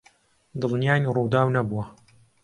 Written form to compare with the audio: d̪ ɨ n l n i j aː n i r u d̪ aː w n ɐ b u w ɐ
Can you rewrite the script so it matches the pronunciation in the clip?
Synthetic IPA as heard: d̪ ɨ l n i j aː n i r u d̪ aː w n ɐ b u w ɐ